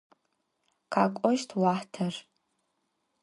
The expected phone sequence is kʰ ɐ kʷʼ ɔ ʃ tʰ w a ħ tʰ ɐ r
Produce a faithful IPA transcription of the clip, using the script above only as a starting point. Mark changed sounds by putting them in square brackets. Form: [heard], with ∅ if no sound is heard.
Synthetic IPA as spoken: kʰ [a] kʷʼ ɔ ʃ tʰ w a ħ tʰ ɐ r